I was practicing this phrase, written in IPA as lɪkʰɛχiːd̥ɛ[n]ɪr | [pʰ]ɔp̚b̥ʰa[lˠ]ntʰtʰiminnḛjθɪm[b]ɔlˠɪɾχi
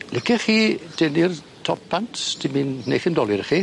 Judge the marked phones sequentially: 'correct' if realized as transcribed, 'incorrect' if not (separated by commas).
correct, incorrect, incorrect, incorrect